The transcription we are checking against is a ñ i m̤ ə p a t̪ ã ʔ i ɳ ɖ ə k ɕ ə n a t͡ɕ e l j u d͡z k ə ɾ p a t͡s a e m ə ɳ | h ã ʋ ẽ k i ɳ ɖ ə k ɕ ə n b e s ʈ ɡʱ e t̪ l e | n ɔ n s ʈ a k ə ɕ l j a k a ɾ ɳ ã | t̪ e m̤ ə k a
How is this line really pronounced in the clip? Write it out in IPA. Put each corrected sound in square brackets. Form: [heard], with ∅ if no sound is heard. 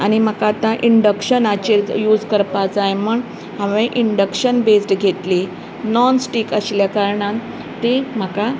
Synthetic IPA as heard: a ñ i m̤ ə [k] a t̪ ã ʔ i ɳ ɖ ə k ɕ ə n a t͡ɕ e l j u d͡z k ə ɾ p a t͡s a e m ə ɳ | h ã ʋ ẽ [ʔ] i ɳ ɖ ə k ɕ ə n b e s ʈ ɡʱ e t̪ l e | n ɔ n s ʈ [i] k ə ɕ l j a k a ɾ ɳ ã | t̪ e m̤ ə k a

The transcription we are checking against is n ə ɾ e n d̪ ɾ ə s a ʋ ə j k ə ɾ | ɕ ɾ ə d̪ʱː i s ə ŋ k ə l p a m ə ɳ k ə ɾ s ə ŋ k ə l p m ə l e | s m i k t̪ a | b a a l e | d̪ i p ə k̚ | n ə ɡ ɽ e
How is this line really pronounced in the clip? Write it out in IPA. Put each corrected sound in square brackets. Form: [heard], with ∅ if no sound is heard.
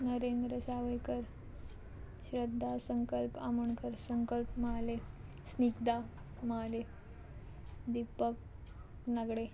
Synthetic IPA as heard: n ə ɾ e n d̪ ɾ ə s a ʋ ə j k ə ɾ | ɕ ɾ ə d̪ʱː [a] s ə ŋ k ə l p a m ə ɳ k ə ɾ s ə ŋ k ə l p m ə l e | s [n] i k [d̪] a | [m] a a l e | d̪ i p ə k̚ | n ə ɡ ɽ e

